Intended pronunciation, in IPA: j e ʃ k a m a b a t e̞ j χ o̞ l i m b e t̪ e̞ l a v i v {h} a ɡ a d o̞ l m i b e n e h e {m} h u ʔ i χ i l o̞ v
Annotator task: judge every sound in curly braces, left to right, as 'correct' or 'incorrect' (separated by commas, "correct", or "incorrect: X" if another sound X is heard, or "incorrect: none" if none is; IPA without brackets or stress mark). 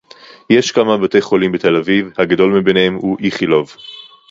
correct, correct